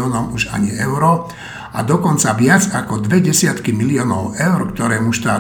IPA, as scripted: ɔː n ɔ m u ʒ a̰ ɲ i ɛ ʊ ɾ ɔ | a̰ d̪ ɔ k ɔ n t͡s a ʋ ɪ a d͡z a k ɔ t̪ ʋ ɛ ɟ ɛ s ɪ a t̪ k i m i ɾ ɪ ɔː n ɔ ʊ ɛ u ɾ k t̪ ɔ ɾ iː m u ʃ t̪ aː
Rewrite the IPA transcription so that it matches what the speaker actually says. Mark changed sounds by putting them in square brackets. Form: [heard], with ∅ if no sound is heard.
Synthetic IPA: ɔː n ɔ m u ʒ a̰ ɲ i ɛ ʊ ɾ ɔ | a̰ d̪ ɔ k ɔ n t͡s a ʋ ɪ a d͡z a k ɔ [d̪] ʋ ɛ ɟ ɛ s ɪ a t̪ k i m i [l] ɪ ɔː n ɔ ʊ ɛ [ʊ] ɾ k t̪ ɔ ɾ [ɛː] m u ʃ t̪ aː